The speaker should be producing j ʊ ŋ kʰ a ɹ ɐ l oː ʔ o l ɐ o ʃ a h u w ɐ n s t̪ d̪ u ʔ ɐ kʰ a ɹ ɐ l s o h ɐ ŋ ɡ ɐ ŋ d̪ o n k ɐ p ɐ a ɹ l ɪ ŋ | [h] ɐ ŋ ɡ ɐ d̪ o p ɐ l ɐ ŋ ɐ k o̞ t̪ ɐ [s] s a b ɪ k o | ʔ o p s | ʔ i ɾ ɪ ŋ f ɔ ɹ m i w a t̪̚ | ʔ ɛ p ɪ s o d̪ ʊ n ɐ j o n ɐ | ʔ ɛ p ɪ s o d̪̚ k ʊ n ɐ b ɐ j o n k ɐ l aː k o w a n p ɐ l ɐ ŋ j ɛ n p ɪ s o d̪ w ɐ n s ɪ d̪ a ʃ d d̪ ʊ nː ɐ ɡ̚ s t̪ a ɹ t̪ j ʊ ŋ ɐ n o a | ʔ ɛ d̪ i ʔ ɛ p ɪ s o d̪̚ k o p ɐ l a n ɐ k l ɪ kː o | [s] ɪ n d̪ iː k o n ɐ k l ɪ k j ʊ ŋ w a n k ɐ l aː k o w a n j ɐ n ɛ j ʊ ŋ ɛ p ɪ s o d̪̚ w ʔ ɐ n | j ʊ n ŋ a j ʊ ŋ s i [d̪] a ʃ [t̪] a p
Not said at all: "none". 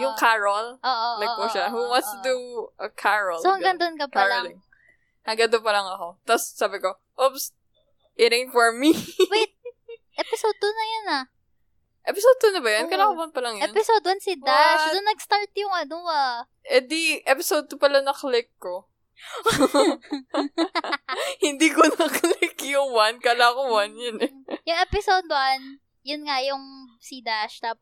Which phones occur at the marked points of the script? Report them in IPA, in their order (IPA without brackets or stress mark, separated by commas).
h, s, h, d̪, t̪